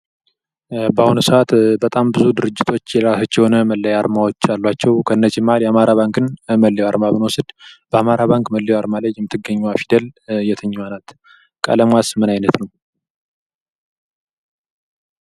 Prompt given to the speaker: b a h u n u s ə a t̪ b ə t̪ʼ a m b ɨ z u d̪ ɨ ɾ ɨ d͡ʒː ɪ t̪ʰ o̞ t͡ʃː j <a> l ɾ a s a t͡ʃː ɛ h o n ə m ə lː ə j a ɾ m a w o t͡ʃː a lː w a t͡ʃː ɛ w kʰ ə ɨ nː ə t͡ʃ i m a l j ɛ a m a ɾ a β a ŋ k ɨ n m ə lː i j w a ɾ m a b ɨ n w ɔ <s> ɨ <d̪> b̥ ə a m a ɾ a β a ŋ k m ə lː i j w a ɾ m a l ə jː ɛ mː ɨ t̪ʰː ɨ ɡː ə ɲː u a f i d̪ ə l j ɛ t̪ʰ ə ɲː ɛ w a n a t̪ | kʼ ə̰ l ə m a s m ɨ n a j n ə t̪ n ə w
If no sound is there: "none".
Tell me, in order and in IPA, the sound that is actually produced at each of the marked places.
ɛ, s, d̪

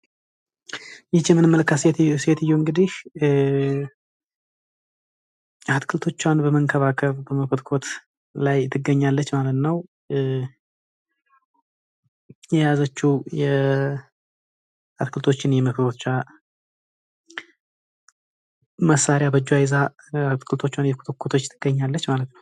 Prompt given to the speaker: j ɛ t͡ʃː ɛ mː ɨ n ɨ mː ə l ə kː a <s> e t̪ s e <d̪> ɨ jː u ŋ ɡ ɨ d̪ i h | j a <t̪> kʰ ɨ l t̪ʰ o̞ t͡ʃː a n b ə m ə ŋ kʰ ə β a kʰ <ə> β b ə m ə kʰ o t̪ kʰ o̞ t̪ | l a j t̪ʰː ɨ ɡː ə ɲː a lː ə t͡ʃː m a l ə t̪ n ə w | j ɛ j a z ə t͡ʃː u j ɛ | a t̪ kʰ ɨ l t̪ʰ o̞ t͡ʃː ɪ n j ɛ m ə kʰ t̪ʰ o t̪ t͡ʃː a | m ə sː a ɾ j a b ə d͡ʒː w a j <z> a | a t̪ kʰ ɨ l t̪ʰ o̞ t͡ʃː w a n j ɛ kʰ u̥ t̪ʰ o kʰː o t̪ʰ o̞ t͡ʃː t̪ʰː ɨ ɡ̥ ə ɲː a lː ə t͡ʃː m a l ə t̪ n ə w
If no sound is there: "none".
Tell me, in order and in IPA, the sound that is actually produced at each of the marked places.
s, t̪, t̪, ə, z

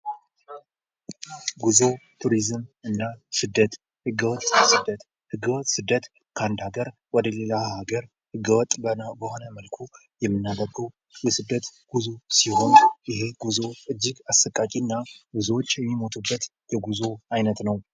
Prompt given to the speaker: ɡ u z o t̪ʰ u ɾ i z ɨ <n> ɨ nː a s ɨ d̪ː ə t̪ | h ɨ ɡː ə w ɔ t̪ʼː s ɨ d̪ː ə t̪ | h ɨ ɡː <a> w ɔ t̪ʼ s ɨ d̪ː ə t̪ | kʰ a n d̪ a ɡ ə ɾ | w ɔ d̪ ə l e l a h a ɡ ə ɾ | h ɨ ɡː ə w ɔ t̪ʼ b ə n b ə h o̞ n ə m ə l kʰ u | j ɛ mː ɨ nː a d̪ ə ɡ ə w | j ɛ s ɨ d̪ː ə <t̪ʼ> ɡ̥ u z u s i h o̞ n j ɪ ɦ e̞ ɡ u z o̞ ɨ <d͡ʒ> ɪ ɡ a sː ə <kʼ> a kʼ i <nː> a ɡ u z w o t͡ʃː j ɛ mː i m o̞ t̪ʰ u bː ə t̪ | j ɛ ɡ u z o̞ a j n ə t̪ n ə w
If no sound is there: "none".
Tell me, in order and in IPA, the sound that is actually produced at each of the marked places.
m, ə, t̪, d͡ʒː, kʼ, nː

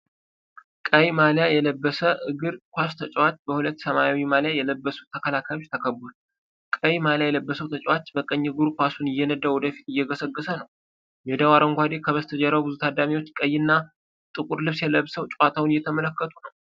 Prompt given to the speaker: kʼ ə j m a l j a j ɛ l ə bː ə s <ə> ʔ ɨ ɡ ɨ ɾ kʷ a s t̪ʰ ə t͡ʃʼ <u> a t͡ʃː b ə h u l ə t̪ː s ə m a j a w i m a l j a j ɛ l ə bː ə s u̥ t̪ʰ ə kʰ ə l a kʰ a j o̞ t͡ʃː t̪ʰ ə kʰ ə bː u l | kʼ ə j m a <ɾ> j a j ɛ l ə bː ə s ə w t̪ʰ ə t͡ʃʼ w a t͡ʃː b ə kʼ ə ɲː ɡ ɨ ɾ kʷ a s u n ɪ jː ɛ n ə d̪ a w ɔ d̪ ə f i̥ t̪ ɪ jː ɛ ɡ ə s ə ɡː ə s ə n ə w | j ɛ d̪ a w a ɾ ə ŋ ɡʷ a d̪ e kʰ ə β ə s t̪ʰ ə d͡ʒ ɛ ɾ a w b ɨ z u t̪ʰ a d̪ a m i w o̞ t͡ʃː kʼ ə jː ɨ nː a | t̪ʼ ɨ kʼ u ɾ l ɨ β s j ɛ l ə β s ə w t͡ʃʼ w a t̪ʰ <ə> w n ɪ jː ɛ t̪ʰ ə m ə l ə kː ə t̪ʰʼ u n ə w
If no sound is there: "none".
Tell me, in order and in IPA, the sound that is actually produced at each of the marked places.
ə, w, l, a

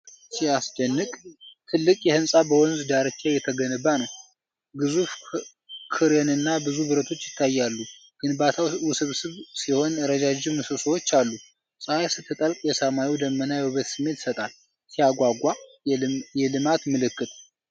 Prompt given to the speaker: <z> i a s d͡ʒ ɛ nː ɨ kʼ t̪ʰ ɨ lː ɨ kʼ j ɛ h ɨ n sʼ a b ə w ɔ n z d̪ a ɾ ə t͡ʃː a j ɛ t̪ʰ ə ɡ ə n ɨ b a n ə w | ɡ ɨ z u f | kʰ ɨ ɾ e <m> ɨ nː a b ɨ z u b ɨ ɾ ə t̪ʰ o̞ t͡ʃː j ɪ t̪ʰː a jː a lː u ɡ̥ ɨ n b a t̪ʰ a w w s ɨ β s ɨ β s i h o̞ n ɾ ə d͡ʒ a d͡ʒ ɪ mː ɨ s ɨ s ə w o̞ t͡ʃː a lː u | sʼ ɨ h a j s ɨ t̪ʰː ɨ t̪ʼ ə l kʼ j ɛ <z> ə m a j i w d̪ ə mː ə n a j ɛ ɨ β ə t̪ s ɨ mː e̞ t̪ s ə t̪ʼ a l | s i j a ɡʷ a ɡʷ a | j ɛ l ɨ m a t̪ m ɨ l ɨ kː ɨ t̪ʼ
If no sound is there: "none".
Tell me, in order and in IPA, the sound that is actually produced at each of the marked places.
s, n, s

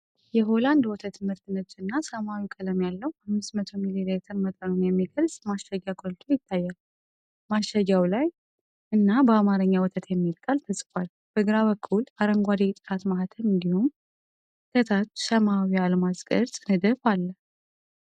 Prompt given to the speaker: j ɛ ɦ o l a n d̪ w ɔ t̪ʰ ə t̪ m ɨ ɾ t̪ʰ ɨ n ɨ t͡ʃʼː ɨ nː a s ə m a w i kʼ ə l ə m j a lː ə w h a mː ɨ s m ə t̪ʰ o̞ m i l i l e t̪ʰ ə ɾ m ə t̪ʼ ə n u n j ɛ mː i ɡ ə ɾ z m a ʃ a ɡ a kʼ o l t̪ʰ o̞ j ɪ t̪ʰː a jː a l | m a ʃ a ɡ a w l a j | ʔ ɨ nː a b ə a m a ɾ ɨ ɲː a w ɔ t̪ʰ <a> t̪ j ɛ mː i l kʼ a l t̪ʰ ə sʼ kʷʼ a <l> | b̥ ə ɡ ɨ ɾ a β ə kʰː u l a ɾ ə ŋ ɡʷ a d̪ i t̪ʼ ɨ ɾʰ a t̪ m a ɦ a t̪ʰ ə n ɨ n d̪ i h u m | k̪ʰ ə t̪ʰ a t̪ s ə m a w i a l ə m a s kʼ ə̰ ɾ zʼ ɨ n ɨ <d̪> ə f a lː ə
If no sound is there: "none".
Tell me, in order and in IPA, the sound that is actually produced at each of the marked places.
ə, l, d̪

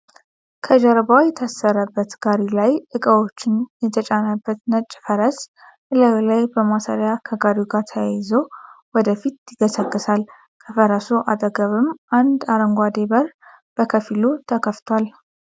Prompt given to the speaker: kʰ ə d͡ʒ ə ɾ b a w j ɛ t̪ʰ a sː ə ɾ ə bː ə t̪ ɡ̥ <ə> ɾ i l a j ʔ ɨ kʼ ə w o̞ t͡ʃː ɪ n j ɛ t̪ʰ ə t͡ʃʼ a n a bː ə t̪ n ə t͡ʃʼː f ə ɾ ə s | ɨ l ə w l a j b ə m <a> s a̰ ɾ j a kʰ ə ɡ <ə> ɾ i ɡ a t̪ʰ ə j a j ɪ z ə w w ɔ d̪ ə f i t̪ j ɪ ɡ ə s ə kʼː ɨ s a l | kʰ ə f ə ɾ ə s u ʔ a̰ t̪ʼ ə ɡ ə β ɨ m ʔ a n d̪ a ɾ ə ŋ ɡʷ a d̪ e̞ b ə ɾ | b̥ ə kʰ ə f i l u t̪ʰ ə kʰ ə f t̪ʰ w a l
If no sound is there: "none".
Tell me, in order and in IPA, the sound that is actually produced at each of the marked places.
a, a, a

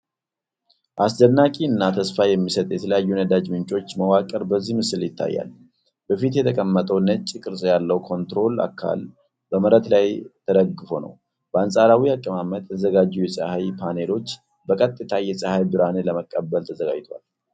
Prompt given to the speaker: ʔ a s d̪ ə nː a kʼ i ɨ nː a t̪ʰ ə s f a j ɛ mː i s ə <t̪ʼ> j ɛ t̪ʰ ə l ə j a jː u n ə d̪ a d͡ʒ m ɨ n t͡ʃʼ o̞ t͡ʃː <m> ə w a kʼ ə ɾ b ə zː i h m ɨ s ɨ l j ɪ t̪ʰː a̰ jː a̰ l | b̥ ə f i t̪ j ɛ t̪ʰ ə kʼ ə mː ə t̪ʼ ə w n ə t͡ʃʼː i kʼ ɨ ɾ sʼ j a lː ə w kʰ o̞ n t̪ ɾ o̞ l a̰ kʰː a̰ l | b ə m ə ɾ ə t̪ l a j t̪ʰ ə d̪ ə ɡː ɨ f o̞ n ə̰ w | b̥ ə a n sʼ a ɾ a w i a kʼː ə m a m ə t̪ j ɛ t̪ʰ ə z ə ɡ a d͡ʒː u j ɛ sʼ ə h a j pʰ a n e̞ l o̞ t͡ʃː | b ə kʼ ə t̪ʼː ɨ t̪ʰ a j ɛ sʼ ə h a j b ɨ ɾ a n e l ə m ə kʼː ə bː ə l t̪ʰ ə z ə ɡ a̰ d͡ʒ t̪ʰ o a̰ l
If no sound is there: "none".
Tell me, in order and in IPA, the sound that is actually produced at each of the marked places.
t̪ʼ, m

